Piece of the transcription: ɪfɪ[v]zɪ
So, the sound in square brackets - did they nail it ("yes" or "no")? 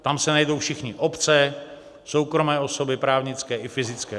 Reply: no